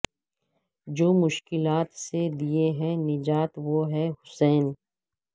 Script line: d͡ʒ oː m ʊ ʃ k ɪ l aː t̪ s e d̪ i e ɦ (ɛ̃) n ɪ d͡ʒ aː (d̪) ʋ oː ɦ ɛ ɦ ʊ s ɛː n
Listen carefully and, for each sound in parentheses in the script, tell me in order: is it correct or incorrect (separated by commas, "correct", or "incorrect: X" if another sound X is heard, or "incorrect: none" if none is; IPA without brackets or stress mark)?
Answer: correct, incorrect: t̪